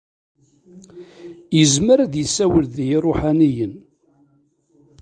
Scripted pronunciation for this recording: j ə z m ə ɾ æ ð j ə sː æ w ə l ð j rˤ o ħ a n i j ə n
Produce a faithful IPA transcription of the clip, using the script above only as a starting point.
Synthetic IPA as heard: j ə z m ə ɾ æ ð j ə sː æ w ə l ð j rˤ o ħ a n i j ə n